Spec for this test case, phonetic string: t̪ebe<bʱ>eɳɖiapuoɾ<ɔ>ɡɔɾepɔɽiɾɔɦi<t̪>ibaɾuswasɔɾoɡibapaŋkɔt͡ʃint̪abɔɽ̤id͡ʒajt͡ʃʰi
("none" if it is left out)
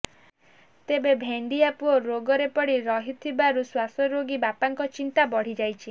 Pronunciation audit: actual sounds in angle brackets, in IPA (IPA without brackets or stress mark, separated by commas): bʱ, o, t̪ʰ